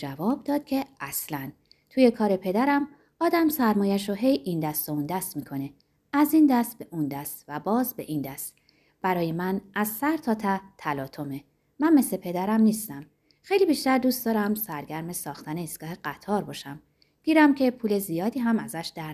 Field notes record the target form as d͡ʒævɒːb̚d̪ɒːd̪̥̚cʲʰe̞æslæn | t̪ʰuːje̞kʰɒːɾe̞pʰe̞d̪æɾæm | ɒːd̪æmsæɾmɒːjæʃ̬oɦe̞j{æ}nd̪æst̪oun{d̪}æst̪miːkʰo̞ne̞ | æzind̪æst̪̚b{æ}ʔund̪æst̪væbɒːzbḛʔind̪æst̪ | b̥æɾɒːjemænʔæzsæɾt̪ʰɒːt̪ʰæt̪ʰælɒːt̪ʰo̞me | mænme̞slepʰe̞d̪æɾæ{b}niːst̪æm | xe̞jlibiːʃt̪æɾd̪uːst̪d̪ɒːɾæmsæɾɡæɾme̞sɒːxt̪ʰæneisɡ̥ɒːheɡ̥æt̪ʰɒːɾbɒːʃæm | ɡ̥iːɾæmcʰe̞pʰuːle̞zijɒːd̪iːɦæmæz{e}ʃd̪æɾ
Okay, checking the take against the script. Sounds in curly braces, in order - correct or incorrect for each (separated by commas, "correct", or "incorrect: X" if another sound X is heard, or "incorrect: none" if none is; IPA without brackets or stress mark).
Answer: incorrect: i, correct, incorrect: e, incorrect: m, incorrect: æ